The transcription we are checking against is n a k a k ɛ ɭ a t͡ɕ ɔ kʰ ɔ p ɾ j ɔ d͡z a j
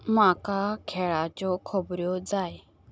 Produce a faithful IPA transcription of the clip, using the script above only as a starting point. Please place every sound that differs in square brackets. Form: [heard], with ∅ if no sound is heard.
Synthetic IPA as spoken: [m] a k a [kʰ] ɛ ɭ a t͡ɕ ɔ kʰ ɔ [b] ɾ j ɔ d͡z a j